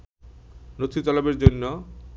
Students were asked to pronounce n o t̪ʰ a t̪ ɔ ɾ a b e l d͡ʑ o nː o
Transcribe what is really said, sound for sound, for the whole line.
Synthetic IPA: n o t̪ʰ i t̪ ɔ l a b e ɾ d͡ʑ o nː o